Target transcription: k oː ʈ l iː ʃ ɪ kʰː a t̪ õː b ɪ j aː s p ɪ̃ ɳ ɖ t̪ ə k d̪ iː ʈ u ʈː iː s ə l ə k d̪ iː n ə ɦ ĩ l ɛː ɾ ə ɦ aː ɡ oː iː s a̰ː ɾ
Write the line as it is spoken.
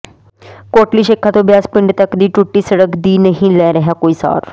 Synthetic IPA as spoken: k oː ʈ l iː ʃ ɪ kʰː a t̪ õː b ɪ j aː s p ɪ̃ ɳ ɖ t̪ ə k d̪ iː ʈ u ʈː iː s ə ɽ ə k d̪ iː n ə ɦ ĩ l ɛː ɾ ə ɦ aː k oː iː s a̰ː ɾ